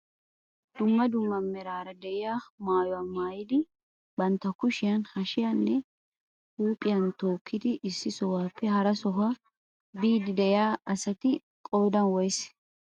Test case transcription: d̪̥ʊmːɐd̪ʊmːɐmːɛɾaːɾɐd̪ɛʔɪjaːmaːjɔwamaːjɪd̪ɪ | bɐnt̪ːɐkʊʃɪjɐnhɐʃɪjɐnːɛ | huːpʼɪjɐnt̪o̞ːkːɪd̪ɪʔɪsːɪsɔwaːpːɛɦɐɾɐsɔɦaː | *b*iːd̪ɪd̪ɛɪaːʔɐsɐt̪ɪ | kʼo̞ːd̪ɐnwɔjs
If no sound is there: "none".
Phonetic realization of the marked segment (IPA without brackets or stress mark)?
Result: b